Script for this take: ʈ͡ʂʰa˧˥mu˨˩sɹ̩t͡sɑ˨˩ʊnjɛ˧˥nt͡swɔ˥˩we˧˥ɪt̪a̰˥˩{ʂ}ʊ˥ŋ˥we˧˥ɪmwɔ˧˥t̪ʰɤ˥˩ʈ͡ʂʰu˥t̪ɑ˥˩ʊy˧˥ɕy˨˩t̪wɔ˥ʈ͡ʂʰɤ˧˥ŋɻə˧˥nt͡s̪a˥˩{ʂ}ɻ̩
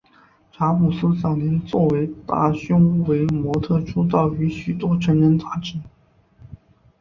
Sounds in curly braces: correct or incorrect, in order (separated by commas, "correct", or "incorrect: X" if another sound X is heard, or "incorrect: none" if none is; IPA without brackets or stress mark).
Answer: incorrect: ɕ, incorrect: ʈ͡ʂ